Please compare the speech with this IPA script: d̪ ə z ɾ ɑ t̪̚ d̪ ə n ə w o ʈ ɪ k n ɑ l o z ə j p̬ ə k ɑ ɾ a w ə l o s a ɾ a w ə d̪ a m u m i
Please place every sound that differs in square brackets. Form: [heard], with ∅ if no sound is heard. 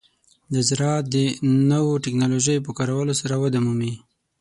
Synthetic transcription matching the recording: d̪ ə z ɾ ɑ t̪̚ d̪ ə n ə w o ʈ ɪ k n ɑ l o [ʒ] ə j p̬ ə k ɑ ɾ a w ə l o s a ɾ a w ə d̪ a m u m i